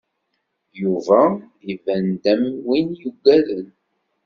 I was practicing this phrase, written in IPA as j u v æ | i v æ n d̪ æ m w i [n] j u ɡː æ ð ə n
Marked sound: correct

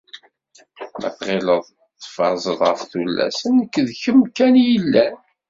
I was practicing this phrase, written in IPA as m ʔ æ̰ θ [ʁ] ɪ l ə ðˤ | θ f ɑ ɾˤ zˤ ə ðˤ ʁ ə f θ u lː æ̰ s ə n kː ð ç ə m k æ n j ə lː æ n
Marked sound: correct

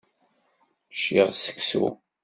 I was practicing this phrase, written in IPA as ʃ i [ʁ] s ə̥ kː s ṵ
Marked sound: correct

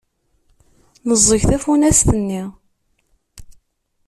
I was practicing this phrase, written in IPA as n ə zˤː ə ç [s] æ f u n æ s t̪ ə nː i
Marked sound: incorrect: θ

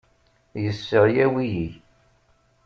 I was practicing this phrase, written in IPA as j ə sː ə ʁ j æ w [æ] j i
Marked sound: incorrect: i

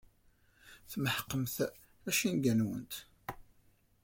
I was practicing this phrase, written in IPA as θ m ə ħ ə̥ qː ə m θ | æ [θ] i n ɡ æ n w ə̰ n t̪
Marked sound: incorrect: ʃ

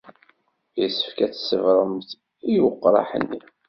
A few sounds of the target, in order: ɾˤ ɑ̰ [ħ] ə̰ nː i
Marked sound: correct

